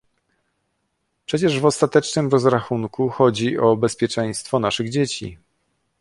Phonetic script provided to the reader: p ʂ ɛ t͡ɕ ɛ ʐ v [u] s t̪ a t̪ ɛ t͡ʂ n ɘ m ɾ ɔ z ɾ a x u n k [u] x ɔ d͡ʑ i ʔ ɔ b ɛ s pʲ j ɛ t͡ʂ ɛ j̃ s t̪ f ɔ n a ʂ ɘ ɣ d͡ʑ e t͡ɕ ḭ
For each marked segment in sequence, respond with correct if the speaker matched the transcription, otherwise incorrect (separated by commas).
incorrect, correct